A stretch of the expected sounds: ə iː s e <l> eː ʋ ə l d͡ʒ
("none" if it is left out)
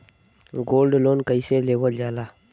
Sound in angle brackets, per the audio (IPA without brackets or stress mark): l